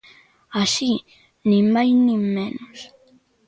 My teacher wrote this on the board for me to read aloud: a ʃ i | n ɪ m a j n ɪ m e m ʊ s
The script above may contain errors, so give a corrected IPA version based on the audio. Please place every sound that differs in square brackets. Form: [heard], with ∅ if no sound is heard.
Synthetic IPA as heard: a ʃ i | n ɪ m a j n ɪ m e [n] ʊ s